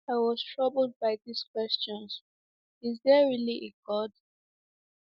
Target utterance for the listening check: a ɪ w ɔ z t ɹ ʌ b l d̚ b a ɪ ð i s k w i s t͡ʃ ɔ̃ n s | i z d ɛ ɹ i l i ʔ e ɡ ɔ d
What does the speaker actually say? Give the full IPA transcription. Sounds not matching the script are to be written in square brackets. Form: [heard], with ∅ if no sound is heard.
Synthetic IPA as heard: a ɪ w ɔ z t ɹ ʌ b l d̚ b a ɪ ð i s k w [ɛ] s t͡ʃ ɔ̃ n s | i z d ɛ ɹ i l i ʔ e ɡ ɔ d